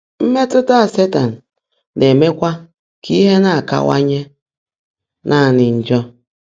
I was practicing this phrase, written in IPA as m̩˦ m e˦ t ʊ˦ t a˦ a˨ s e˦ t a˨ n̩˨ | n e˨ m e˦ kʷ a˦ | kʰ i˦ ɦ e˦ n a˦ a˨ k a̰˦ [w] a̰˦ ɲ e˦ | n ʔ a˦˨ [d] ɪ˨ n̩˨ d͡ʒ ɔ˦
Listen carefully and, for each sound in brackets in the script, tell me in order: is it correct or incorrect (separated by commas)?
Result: correct, incorrect